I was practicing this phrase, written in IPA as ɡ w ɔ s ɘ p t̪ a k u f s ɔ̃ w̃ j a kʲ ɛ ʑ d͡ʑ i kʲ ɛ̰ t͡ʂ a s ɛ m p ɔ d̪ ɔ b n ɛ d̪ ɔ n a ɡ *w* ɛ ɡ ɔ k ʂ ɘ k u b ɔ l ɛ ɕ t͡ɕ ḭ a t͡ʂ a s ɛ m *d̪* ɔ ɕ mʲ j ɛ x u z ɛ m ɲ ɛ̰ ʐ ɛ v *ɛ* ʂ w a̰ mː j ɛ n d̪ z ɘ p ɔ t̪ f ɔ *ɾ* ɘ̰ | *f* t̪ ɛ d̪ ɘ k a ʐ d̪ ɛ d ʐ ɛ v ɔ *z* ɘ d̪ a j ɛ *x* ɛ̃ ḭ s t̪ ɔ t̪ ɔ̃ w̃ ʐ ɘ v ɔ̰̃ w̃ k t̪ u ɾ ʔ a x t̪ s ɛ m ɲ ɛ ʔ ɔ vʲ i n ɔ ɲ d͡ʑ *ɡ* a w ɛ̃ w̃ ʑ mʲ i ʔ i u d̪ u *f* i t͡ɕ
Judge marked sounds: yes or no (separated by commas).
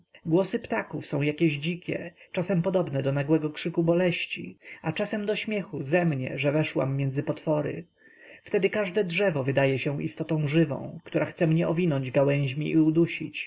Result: yes, yes, yes, yes, yes, no, no, yes, no